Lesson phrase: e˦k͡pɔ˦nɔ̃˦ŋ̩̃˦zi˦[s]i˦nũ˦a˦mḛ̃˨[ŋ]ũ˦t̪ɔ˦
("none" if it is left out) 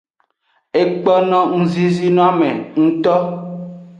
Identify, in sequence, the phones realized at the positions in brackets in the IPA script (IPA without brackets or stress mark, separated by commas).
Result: z, ŋ